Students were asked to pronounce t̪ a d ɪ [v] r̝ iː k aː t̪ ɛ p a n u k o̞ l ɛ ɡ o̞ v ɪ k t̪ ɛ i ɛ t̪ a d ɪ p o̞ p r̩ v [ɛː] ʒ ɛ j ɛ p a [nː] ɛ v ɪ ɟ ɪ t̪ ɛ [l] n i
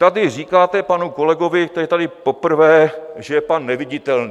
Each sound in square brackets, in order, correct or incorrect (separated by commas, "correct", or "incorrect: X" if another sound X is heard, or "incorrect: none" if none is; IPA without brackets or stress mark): incorrect: none, correct, correct, correct